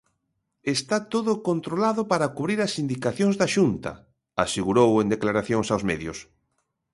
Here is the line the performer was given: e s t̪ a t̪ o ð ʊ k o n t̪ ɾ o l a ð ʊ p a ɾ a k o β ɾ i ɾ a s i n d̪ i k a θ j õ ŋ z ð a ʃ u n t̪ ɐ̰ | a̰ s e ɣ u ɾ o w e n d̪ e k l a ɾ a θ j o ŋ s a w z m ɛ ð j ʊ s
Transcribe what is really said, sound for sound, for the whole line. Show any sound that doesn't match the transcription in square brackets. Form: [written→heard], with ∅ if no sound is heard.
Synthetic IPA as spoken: e s t̪ a t̪ o ð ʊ k o n t̪ ɾ o l a ð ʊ p a ɾ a k [o→u] β ɾ i ɾ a s i n d̪ i k a θ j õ ŋ z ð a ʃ u n t̪ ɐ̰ | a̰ s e ɣ u ɾ o w e n d̪ e k l a ɾ a θ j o ŋ s a w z m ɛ ð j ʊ s